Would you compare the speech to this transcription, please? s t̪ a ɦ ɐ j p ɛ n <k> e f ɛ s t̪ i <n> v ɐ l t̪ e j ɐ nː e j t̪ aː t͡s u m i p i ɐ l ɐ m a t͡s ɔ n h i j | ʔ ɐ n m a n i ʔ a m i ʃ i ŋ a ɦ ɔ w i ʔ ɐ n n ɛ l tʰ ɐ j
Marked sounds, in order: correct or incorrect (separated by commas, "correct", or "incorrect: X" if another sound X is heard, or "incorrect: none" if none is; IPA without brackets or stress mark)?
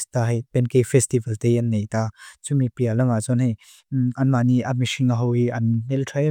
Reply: correct, incorrect: none